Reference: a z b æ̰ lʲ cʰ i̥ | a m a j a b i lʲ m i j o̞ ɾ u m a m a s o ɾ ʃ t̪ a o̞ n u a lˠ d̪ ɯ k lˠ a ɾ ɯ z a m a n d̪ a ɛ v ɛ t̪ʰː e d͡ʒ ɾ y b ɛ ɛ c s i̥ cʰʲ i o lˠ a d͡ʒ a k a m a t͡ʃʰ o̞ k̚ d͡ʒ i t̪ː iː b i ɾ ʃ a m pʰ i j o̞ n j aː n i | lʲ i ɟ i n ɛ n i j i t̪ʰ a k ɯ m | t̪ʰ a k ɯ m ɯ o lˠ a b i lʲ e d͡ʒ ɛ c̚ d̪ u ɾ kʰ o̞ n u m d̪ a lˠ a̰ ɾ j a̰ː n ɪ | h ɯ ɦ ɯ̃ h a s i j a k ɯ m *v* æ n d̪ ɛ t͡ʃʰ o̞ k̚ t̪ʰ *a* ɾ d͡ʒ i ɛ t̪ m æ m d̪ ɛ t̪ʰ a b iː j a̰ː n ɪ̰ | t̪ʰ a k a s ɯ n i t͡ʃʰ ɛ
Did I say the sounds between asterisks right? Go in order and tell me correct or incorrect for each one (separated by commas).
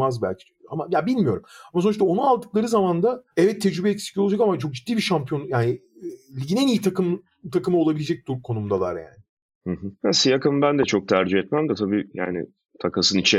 incorrect, incorrect